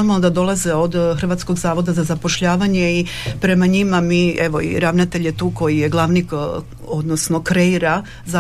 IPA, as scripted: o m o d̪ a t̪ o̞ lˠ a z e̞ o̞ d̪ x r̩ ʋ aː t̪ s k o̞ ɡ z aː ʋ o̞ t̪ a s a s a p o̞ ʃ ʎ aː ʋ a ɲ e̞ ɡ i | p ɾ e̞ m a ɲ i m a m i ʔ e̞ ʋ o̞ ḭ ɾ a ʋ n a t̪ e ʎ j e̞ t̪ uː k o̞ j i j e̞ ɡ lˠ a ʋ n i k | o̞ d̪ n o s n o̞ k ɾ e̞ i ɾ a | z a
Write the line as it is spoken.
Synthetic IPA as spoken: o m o d̪ a d̪ o̞ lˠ a z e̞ o̞ d̪ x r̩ ʋ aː t̪ s k o̞ ɡ z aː ʋ o̞ d̪ a z a z a p o̞ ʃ ʎ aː ʋ a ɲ e̞ i | p ɾ e̞ m a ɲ i m a m i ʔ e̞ ʋ o̞ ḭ ɾ a ʋ n a t̪ e ʎ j e̞ t̪ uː k o̞ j i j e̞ ɡ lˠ a ʋ n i k | o̞ d̪ n o s n o̞ k ɾ e̞ i ɾ a | z a